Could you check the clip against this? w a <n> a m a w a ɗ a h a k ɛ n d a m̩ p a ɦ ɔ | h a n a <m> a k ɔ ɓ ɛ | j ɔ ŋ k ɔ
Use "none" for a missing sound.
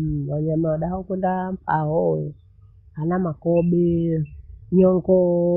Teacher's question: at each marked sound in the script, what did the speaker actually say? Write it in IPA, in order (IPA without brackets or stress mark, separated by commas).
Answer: ɲ, m